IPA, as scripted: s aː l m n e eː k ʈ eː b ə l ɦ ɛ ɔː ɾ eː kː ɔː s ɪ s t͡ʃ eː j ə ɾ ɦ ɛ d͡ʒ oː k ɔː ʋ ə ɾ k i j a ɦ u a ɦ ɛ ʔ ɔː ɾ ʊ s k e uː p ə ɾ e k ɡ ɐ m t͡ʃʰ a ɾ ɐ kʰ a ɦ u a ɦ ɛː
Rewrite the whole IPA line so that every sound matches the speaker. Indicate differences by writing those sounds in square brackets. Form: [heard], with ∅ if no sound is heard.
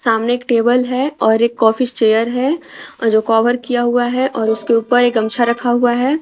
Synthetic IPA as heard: s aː [∅] m n e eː k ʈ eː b ə l ɦ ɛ ɔː ɾ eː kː ɔː [f] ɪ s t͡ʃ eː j ə ɾ ɦ ɛ d͡ʒ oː k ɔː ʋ ə ɾ k i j a ɦ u a ɦ ɛ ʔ ɔː ɾ ʊ s k e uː p ə ɾ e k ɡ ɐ m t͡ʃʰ a ɾ ɐ kʰ a ɦ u a ɦ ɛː

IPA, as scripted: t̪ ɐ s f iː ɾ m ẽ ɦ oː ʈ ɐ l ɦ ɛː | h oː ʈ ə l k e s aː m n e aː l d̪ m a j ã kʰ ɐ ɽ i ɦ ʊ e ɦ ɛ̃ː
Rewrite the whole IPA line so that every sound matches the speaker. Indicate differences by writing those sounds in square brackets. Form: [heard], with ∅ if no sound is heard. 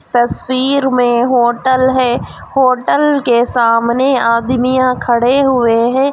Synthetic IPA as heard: t̪ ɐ s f iː ɾ m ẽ ɦ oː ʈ [ə] l ɦ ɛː | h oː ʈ ə l k e s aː m n e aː [∅] d̪ m [i] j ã kʰ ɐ ɽ [e] ɦ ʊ e ɦ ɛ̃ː

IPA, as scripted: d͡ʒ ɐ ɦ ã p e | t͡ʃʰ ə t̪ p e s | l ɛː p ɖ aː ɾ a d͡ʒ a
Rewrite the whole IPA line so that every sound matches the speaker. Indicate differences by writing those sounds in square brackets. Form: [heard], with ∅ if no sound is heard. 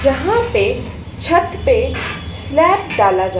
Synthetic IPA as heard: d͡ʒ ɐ ɦ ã p e | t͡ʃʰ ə t̪ p e s | l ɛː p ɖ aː [l] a d͡ʒ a

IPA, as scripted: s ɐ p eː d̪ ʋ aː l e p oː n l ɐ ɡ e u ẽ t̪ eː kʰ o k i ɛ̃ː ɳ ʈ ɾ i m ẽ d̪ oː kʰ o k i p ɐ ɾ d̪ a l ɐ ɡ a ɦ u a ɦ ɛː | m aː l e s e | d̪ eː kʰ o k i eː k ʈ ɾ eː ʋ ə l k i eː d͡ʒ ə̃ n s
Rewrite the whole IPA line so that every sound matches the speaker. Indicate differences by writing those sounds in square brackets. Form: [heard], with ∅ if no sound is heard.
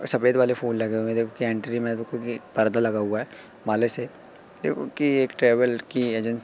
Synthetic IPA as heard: s ɐ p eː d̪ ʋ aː l e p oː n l ɐ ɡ e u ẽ [d̪] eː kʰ o k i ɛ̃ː ɳ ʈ ɾ i m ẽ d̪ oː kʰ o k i p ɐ ɾ d̪ a l ɐ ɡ a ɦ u a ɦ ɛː | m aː l e s e | d̪ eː kʰ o k i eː k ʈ ɾ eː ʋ ə l k i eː d͡ʒ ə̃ n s

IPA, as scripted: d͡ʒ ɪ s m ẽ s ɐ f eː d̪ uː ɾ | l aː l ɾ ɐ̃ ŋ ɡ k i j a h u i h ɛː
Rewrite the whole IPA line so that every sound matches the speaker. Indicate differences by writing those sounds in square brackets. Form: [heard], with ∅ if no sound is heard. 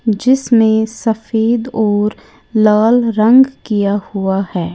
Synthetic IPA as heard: d͡ʒ ɪ s m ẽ s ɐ f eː d̪ [ɔː] ɾ | l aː l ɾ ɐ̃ ŋ ɡ k i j a h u [a] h ɛː

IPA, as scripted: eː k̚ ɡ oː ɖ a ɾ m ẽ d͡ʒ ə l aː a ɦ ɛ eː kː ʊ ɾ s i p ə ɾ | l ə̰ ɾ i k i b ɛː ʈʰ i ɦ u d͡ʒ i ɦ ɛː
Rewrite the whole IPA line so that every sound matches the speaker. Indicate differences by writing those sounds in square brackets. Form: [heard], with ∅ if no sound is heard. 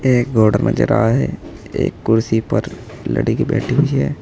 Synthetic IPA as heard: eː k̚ ɡ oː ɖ [ə] ɾ m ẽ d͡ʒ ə [ɾ] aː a ɦ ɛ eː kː ʊ ɾ s i p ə ɾ | l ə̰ [ɽ] i k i b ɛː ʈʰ i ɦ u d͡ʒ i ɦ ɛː

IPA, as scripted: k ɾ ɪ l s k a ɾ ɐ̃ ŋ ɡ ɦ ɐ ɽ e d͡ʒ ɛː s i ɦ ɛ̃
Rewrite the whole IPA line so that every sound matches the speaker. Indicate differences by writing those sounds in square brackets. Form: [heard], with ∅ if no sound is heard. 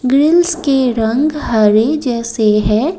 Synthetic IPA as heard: [ɡ] ɾ ɪ l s k [e] ɾ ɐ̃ ŋ ɡ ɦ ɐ [ɾ] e d͡ʒ ɛː s [e] ɦ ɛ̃

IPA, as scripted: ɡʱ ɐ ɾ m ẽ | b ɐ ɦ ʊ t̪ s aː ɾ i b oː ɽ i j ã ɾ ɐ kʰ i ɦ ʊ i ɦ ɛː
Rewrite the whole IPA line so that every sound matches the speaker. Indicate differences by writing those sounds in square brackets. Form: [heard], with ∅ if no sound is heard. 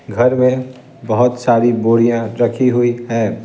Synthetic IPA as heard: ɡʱ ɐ ɾ m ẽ | b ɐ ɦ ʊ t̪ s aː ɾ i b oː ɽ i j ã ɾ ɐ kʰ i ɦ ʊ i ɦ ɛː

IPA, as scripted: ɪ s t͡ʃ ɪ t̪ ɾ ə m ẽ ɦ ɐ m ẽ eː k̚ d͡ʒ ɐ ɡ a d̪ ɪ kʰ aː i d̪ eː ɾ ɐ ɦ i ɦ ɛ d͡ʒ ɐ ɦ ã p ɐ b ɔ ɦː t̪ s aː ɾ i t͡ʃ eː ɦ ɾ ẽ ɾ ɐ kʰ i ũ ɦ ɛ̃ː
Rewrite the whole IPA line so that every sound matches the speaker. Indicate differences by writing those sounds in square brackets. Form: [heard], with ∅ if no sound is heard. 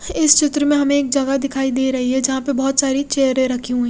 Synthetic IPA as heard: ɪ s t͡ʃ ɪ t̪ ɾ ə m ẽ ɦ ɐ m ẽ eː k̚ d͡ʒ ɐ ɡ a d̪ ɪ kʰ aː i d̪ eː ɾ ɐ ɦ i ɦ ɛ d͡ʒ ɐ ɦ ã p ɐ b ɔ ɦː t̪ s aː ɾ i t͡ʃ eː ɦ ɾ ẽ ɾ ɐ kʰ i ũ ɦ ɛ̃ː

